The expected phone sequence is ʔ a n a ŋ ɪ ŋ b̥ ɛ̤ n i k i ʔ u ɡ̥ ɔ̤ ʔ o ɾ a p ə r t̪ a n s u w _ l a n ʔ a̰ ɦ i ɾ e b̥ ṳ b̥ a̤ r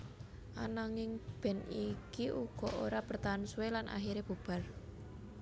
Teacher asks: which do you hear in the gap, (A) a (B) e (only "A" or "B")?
B